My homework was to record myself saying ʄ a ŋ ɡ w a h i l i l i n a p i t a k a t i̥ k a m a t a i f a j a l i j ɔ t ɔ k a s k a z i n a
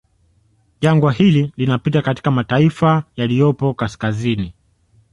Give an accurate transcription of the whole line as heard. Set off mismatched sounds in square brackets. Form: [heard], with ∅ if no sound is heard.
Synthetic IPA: ʄ a ŋ ɡ w a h i l i l i n a p i t a k a t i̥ k a m a t a i f a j a l i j ɔ [p] ɔ k a s k a z i n [i]